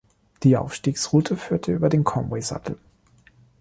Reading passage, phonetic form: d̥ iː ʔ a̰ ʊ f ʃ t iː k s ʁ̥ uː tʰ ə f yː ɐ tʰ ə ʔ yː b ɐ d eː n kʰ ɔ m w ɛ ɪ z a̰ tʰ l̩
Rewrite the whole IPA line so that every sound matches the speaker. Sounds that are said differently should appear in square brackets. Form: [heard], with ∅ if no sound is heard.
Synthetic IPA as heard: d̥ iː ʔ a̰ ʊ f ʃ t iː k s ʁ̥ uː tʰ ə f yː ɐ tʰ ə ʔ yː b ɐ d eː n kʰ ɔ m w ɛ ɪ z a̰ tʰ l̩

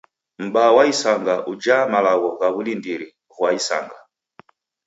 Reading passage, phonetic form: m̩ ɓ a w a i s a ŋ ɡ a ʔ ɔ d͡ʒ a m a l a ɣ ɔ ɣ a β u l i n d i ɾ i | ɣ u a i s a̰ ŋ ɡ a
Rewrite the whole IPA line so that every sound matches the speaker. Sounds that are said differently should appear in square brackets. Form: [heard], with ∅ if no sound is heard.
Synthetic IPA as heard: m̩ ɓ a w a i s a ŋ ɡ a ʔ [u] d͡ʒ a m a l a ɣ ɔ ɣ a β u l i n d i ɾ i | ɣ [w] a i s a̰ ŋ ɡ a

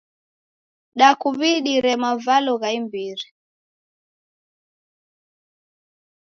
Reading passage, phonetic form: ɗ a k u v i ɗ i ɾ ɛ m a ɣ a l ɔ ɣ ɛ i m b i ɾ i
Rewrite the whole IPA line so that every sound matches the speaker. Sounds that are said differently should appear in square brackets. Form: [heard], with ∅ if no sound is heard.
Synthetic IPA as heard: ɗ a k u [β] i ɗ i ɾ ɛ m a [v] a l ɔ ɣ [a] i m b i ɾ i

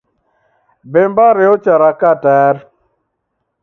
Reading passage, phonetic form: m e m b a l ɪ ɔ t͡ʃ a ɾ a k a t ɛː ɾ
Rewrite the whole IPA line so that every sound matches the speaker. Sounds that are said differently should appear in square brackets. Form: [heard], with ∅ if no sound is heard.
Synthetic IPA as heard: [b] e m b a [ɾ] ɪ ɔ t͡ʃ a ɾ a k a t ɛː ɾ

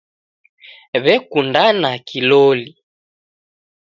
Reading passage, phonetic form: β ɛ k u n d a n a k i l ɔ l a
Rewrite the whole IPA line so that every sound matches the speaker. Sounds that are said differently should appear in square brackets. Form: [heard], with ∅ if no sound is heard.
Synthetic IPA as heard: β ɛ k u n d a n a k i l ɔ l [i]

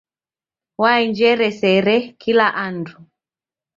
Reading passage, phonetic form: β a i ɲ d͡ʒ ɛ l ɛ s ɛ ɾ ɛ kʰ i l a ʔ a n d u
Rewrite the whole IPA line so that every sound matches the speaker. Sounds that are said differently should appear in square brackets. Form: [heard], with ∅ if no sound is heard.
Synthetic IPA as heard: [w] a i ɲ d͡ʒ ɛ [ɾ] ɛ s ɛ ɾ ɛ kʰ i l a ʔ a n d u

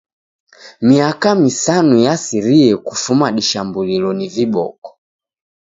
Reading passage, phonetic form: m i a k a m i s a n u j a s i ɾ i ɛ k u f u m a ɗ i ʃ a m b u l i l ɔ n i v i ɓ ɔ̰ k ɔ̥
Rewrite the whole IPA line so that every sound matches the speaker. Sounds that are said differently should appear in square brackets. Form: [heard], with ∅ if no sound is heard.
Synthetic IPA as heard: m i a k a m i s a n u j a s i ɾ i ɛ k u f u m a ɗ i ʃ a m b u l i l ɔ n i v i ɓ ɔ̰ k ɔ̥

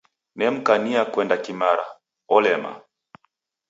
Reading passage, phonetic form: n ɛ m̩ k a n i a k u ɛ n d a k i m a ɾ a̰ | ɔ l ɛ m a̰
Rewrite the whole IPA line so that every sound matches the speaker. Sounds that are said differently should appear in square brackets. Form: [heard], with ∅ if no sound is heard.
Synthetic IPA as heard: n ɛ m̩ k a n i a k [w] ɛ n d a k i m a ɾ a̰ | ɔ l ɛ m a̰

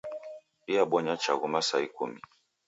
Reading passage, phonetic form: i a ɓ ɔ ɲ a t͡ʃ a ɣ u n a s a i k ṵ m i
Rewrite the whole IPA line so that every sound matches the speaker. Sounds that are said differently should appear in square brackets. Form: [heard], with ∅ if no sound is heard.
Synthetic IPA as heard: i a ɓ ɔ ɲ a t͡ʃ a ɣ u [m] a s a i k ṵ m i

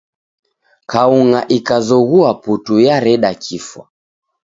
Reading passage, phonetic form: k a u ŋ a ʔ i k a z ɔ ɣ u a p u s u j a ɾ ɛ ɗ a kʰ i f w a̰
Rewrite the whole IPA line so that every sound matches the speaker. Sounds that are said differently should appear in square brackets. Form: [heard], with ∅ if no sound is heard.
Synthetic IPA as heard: k a u ŋ a ʔ i k a z ɔ ɣ u a p u [t] u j a ɾ ɛ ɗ a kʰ i f w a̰

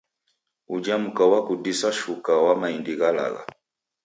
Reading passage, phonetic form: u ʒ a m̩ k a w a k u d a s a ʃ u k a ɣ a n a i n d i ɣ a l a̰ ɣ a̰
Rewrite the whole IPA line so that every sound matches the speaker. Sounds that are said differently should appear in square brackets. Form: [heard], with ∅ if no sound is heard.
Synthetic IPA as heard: u [d͡ʒ] a m̩ k a w a k u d [i] s a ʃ u k a [w] a [m] a i n d i ɣ a l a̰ ɣ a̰

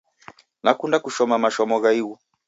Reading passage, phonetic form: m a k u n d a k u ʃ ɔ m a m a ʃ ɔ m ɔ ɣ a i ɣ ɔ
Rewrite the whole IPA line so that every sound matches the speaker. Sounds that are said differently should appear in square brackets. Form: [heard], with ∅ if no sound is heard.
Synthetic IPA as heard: [n] a k u n d a k u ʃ ɔ m a m a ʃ ɔ m ɔ ɣ a i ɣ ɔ

